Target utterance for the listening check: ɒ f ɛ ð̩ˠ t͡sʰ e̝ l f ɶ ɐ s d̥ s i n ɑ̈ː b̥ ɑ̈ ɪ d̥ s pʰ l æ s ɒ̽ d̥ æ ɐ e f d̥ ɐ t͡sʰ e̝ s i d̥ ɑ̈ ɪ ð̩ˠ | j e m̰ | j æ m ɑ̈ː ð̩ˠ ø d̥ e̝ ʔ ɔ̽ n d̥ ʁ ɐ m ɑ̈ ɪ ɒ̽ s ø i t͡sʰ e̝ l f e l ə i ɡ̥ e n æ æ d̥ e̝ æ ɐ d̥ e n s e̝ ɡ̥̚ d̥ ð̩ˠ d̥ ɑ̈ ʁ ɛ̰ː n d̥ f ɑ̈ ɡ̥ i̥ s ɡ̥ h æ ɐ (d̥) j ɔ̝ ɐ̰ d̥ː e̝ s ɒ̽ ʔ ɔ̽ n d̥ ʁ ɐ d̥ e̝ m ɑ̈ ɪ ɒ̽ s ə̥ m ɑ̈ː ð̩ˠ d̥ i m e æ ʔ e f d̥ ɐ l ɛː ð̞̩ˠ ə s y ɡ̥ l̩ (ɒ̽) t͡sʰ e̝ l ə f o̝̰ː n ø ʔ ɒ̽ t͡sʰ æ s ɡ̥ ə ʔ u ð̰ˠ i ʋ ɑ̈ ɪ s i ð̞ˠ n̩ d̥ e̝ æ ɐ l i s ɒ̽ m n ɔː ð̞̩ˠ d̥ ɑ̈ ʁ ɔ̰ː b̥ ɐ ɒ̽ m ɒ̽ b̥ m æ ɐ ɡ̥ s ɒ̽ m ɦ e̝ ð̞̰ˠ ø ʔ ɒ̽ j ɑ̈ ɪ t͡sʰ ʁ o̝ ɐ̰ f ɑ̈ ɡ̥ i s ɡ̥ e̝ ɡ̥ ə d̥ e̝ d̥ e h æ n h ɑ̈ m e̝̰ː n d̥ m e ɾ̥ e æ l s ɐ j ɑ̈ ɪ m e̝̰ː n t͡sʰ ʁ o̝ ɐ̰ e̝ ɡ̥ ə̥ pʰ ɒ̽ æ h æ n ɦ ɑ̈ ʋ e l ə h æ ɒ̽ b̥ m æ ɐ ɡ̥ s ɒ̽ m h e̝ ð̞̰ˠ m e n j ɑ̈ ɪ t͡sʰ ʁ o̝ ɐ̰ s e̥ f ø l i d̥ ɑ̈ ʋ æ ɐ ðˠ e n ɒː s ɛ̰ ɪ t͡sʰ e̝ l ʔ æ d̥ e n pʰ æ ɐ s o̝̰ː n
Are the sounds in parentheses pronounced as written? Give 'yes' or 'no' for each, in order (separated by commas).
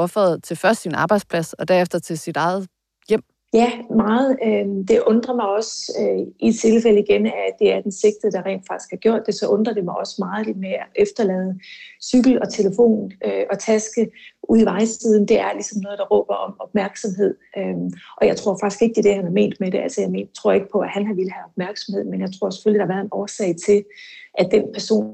no, yes